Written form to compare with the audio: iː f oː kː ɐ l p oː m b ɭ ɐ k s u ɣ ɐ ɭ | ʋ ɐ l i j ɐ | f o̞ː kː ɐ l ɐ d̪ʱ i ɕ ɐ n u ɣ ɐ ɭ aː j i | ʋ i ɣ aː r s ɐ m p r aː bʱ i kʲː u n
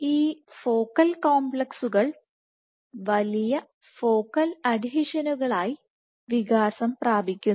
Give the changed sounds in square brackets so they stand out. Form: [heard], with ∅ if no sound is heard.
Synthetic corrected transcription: iː f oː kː ɐ l [k] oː m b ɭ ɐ k s u ɣ ɐ ɭ | ʋ ɐ l i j ɐ | f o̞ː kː ɐ l ɐ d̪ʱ i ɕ ɐ n u ɣ ɐ ɭ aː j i | ʋ i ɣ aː [∅] s ɐ m p r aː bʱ i kʲː u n